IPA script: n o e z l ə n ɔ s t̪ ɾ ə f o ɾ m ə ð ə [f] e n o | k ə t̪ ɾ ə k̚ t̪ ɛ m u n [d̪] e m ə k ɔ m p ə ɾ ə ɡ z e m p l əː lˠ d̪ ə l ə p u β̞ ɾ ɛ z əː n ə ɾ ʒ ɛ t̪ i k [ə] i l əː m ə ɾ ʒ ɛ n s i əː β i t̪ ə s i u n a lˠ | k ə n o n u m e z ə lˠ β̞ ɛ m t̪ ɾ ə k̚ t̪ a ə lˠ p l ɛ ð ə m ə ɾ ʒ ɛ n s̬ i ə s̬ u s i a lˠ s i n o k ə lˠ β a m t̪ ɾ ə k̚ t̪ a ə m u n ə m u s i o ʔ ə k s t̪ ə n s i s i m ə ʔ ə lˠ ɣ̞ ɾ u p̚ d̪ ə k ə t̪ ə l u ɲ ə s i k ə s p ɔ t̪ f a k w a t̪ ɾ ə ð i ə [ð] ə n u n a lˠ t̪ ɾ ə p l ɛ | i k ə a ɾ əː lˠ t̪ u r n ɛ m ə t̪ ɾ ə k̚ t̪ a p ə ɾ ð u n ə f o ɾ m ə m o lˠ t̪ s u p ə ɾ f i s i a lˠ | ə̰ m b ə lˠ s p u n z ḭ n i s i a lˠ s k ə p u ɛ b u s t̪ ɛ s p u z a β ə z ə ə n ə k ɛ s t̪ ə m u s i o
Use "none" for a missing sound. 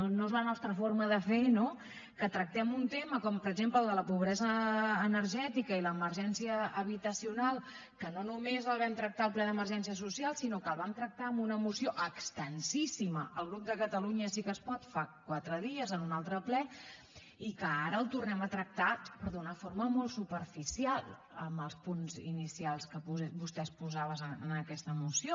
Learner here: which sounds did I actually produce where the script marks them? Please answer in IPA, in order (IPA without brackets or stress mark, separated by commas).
f, t̪, ə, z